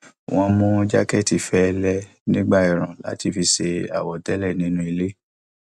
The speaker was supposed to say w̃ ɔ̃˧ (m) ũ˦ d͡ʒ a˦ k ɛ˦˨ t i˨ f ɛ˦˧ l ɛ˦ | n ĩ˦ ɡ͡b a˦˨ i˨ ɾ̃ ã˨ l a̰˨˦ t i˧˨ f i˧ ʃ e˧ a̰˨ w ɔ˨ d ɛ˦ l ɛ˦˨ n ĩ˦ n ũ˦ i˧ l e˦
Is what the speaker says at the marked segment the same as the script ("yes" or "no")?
yes